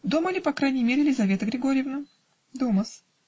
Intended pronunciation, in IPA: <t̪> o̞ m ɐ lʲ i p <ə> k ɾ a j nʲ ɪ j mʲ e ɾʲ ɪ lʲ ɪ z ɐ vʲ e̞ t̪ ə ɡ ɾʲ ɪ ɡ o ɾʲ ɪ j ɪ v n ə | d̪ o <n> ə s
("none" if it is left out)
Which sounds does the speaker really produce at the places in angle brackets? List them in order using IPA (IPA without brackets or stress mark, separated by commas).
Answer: d̪, ɐ, m